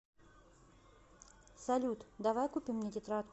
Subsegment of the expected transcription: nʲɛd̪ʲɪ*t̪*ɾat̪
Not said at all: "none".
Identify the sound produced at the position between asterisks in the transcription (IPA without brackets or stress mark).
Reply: t̪